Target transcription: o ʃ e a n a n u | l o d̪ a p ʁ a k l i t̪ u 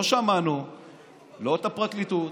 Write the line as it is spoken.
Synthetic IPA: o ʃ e a m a n u | l o t̪ a p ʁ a k l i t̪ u